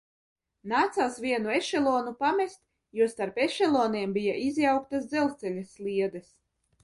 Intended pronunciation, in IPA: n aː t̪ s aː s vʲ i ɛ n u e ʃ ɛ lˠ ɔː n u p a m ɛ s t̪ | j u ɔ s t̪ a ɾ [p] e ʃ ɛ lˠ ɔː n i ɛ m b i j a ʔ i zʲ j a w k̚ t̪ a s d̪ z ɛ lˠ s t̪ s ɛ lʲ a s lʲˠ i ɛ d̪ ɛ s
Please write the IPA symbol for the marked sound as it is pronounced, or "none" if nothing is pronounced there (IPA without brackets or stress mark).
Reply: p